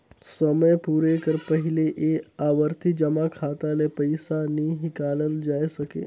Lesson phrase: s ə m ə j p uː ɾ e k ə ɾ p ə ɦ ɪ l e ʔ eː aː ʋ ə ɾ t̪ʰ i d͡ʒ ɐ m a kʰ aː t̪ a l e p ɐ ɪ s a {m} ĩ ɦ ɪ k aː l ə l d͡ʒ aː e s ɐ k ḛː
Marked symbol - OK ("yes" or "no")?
no